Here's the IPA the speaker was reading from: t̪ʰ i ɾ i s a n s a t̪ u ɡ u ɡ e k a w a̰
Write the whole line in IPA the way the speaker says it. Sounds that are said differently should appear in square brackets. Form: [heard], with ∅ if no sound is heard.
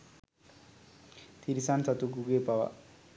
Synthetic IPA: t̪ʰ i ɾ i s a n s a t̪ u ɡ u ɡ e [p] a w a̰